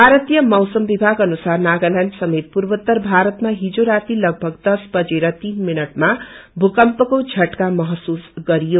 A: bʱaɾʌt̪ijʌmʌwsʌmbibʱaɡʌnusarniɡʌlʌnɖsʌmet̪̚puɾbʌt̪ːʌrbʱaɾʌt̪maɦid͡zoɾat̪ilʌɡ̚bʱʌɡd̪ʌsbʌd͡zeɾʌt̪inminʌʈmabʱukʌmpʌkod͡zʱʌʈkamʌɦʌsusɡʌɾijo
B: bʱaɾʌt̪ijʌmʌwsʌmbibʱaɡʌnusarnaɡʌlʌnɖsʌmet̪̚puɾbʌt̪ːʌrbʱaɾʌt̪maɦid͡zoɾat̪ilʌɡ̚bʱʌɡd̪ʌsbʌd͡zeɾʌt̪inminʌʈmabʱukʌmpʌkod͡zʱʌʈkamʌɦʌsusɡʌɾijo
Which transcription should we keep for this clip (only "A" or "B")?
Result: B